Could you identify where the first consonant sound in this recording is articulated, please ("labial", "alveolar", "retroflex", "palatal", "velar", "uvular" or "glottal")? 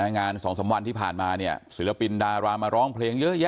velar